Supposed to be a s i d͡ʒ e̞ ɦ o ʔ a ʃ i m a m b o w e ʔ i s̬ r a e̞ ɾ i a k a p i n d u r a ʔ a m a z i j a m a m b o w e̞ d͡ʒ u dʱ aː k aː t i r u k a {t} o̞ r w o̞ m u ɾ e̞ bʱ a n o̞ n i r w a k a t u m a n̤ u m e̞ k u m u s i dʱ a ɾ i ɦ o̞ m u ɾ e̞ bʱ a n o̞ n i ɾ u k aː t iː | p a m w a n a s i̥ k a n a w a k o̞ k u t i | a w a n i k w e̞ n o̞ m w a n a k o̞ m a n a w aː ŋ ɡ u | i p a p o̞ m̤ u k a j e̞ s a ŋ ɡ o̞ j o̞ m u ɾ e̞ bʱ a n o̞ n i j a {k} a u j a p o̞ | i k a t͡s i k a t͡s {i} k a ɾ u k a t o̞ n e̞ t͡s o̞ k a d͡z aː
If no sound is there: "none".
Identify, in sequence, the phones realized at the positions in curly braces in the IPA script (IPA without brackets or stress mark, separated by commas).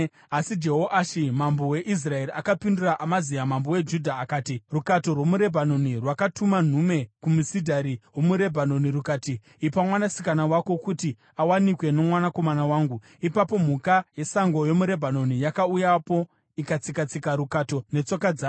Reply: t, k, i